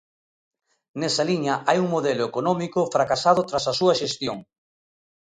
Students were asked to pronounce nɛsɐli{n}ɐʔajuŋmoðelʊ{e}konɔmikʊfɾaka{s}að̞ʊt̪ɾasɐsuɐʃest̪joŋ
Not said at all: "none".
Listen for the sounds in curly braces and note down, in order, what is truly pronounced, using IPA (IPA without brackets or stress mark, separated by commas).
ɲ, e, s